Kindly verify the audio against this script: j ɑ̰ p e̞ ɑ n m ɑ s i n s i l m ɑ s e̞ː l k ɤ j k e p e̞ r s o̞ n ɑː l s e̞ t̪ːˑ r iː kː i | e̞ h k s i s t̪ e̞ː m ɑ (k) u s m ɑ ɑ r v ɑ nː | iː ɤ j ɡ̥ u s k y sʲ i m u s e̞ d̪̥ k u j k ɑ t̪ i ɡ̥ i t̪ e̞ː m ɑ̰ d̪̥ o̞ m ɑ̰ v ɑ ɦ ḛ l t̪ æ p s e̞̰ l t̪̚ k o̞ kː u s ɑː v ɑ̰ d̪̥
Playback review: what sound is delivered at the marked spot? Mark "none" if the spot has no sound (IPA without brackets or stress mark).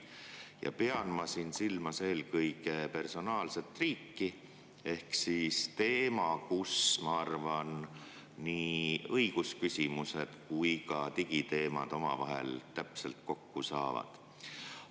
k